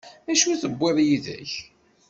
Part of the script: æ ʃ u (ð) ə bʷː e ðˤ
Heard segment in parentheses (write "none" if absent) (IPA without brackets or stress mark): θ